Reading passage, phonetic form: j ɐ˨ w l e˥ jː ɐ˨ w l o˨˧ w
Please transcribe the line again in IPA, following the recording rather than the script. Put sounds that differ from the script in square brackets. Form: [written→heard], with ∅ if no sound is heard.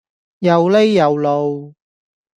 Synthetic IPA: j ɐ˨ w l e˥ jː ɐ˨ w l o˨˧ w